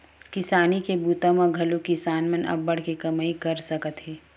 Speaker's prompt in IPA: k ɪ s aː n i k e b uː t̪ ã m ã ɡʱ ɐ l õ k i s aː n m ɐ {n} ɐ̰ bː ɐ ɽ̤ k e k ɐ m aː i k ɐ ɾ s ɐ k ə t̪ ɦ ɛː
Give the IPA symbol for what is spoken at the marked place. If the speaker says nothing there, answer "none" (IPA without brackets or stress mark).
n